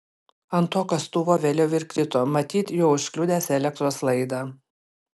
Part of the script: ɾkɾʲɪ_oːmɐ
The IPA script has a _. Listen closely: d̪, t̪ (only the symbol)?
t̪